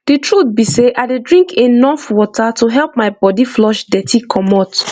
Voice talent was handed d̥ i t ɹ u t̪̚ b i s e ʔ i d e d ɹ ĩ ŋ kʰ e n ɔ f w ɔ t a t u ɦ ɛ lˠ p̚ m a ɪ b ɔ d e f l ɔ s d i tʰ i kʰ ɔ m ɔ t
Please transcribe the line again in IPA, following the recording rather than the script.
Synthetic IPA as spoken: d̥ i t ɹ u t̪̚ b i s e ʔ a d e d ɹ ĩ ŋ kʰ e n ɔ f w ɔ t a t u ɦ ɛ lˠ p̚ m a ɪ b ɔ d i f l ɔ ʃ d ɛ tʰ i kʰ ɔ m ɔ t